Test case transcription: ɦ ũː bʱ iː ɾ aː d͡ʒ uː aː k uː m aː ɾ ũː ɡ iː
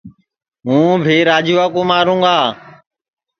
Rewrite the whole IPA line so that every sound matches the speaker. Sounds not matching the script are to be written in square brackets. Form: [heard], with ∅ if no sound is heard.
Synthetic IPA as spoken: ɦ ũː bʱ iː ɾ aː d͡ʒ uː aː k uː m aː ɾ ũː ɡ [aː]